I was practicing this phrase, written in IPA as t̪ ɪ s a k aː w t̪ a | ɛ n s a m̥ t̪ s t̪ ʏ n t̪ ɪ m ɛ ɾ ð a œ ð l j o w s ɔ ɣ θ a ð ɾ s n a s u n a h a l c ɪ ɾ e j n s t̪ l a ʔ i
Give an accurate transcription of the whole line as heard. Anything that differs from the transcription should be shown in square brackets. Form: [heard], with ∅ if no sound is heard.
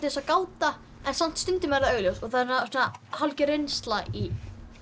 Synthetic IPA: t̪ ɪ s a k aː w t̪ a | ɛ n s a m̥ t̪ s t̪ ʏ n t̪ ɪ m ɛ ɾ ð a œ [ɣ] l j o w s ɔ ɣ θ a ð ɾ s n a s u n a h a l c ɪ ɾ e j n s t̪ l a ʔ i